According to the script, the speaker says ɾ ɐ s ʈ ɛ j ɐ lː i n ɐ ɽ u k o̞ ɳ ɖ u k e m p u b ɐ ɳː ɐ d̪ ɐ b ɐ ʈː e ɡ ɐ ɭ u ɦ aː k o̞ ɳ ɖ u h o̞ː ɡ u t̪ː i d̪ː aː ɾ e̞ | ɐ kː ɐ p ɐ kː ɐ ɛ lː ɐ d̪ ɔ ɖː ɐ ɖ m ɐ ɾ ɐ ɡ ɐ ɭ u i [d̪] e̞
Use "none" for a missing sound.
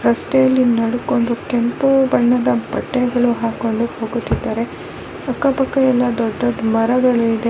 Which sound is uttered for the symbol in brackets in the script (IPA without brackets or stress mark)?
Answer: d̪